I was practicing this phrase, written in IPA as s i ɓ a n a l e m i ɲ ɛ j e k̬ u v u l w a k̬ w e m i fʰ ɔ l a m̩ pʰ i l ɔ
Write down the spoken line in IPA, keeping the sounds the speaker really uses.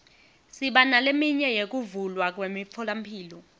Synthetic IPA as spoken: s i ɓ a n a l e m i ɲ ɛ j e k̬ u v u l w a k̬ w e m i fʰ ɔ l a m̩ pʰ iː l ɔ

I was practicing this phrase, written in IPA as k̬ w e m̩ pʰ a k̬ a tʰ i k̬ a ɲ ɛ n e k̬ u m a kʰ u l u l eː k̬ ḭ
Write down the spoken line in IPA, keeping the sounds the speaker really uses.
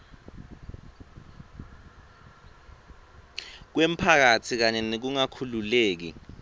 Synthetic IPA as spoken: k̬ w e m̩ pʰ a k̬ a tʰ i k̬ a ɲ ɛ n e k̬ u ŋ a kʰ u l u l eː k̬ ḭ

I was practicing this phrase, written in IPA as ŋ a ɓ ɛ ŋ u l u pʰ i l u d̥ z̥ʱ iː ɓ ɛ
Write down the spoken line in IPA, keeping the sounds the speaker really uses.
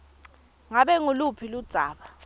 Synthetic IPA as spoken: ŋ a ɓ ɛ ŋ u l u pʰ i l u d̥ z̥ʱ aː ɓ a

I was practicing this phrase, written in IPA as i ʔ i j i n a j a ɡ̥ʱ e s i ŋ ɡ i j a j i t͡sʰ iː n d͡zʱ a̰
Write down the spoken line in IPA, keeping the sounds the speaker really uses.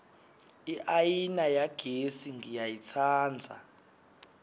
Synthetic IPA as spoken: i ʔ a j i n a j a ɡ̥ʱ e s i ŋ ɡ i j a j i t͡sʰ aː n d͡zʱ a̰

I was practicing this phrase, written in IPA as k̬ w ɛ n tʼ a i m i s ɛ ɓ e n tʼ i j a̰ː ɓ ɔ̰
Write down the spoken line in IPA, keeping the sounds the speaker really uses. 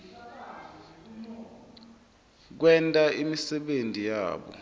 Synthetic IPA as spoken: k̬ w ɛ n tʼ a i m i s ɛ ɓ e n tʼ i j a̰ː ɓ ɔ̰

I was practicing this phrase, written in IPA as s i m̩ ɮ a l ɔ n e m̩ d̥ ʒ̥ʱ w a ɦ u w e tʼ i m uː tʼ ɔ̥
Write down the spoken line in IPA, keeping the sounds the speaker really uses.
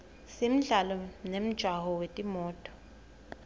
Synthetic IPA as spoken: s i m̩ ɮ a l ɔ n e m̩ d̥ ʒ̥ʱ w a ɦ ɔ w e tʼ i m ɔː tʼ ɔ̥

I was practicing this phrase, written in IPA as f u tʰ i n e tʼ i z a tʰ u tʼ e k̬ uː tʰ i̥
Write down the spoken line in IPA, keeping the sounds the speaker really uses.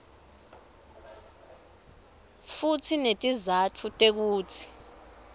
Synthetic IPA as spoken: f u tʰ i n e tʼ i z a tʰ u tʼ e k̬ uː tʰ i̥

